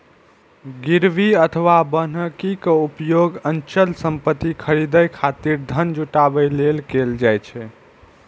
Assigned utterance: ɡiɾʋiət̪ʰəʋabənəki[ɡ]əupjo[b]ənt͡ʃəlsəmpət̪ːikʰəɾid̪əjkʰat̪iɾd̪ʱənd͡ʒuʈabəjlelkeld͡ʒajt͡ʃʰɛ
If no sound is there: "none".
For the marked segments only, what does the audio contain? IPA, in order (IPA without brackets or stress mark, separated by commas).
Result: k, ɡ